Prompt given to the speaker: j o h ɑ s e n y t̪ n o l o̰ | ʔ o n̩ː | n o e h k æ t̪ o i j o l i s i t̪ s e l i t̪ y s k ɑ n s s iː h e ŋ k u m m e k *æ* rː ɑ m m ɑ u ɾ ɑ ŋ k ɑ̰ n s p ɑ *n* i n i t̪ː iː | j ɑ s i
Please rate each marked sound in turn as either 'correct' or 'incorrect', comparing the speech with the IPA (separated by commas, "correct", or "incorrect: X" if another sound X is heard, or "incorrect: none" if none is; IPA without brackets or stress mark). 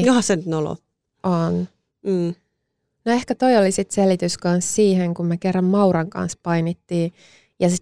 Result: incorrect: e, incorrect: none